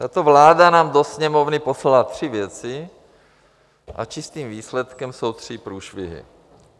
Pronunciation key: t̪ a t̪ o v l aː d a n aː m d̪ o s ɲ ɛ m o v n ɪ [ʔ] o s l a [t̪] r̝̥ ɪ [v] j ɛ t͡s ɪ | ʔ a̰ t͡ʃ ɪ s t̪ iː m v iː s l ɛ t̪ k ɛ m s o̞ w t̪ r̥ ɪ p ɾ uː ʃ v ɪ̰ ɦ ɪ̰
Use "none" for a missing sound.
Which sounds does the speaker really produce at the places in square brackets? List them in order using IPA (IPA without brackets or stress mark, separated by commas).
p, t̪, v